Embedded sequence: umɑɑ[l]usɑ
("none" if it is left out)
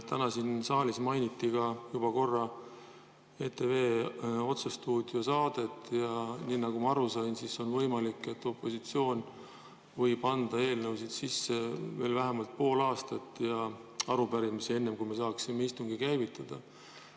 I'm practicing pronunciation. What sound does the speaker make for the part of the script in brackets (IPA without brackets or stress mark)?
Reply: ɾ